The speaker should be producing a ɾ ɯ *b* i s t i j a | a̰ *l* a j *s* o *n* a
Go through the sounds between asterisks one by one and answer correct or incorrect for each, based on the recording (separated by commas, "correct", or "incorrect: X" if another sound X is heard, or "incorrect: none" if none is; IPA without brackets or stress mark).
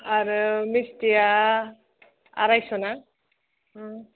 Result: incorrect: m, incorrect: ɾ, correct, correct